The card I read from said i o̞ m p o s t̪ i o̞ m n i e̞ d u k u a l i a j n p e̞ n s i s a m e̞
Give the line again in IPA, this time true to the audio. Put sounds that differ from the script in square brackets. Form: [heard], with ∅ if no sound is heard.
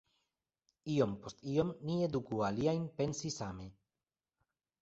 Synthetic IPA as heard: i o̞ m p o s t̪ i o̞ m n i e̞ d u k u a l i a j n p e̞ n s i s a m e̞